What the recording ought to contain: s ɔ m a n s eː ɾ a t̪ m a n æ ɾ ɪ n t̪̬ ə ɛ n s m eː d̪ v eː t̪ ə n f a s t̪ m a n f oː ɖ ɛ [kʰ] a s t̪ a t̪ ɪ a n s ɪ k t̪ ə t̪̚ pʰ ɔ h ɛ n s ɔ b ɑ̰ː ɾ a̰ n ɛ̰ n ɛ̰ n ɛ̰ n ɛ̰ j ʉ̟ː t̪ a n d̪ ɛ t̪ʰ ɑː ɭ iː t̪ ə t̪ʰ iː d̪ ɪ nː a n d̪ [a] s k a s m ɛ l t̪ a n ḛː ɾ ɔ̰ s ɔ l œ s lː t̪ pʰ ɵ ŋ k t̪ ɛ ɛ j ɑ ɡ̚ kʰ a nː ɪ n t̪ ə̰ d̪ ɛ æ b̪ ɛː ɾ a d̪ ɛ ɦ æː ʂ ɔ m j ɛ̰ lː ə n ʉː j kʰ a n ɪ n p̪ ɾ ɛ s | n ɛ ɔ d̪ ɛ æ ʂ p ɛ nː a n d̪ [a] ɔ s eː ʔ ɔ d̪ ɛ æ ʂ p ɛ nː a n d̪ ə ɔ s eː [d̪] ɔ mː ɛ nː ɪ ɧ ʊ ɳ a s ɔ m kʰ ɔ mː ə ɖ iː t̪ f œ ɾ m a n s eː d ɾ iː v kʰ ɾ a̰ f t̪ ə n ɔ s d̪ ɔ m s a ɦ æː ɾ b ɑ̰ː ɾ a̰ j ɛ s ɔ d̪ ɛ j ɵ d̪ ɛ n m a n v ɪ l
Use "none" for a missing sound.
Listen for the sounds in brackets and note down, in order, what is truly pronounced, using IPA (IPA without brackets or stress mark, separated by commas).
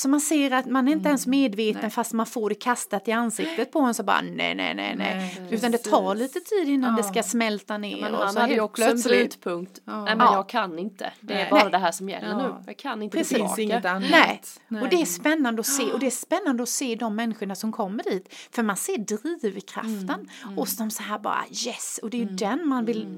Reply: kʰ, ɛ, ə, d̪